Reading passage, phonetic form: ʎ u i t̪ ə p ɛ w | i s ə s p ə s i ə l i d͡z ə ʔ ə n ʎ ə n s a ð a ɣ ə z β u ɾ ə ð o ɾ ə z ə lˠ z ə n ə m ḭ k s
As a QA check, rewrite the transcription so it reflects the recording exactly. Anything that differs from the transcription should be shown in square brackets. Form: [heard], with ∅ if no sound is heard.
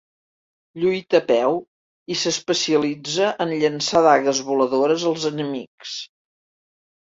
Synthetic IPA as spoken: ʎ u [j] t̪ ə p ɛ w | i s ə s p ə s i ə l i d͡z ə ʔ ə n ʎ ə n s a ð a ɣ ə z β u [l] ə ð o ɾ ə z ə lˠ z ə n ə m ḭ k s